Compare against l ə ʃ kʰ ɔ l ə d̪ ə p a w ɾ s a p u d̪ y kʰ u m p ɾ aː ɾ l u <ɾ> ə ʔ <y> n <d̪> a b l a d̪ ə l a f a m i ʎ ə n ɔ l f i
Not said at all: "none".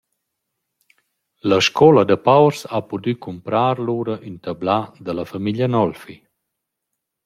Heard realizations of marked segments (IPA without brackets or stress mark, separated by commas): ɾ, y, t̪